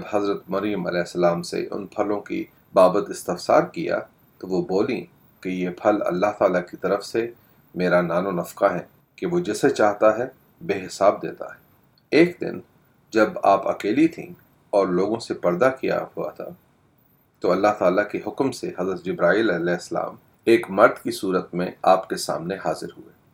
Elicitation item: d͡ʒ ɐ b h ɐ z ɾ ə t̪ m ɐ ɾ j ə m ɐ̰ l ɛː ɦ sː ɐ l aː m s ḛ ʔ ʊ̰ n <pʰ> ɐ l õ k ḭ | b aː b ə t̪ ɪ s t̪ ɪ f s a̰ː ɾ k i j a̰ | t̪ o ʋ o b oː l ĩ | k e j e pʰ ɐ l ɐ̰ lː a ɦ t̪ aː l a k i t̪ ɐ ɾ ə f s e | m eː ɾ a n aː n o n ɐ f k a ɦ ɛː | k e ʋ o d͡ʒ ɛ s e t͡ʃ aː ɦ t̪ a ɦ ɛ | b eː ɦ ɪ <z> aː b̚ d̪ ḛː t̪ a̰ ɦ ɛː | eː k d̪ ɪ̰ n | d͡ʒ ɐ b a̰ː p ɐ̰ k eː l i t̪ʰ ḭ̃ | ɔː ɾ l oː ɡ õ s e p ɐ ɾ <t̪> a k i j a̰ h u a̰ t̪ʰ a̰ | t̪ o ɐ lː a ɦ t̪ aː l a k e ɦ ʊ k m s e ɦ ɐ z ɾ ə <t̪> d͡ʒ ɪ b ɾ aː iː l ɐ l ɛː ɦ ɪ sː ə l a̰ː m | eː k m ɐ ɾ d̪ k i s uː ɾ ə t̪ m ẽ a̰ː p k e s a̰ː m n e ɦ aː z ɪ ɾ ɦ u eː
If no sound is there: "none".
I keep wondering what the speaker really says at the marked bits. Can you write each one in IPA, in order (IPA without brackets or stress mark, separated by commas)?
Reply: pʰ, s, d̪, t̪